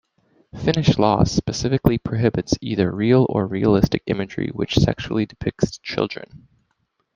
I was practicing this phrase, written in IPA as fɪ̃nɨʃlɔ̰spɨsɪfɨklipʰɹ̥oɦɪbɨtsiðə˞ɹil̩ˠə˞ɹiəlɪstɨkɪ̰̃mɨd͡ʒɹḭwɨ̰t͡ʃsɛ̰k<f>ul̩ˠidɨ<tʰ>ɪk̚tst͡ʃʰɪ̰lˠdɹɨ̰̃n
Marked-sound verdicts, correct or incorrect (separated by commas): incorrect, incorrect